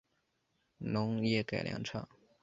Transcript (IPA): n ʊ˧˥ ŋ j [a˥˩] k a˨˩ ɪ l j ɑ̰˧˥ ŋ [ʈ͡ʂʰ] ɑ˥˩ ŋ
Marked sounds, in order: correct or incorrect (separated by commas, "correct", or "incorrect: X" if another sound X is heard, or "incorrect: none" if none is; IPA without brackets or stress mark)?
incorrect: ɛ˥˩, correct